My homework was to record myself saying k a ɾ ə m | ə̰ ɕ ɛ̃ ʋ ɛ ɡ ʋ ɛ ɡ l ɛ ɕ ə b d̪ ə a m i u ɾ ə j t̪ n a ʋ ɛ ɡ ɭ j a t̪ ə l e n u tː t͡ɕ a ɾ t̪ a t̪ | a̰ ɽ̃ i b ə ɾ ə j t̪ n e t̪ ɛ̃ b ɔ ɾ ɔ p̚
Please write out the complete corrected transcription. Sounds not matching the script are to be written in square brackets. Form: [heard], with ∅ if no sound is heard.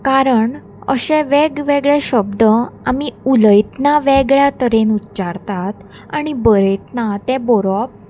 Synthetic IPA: k a ɾ ə [ɳ] | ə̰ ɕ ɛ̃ ʋ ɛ ɡ ʋ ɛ ɡ [ɭ] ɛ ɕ ə b d̪ ə a m i u [l] ə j t̪ n a ʋ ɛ ɡ ɭ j a t̪ ə [ɾ] e n u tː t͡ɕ a ɾ t̪ a t̪ | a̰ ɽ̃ i b ə ɾ ə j t̪ n [a] t̪ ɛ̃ b ɔ ɾ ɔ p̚